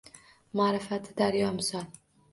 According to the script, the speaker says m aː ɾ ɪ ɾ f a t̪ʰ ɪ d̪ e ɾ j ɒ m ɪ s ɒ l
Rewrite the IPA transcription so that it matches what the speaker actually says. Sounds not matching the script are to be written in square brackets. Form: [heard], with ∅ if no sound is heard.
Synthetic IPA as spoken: m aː ɾ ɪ [∅] f a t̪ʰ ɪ d̪ [a] ɾ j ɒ m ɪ s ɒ l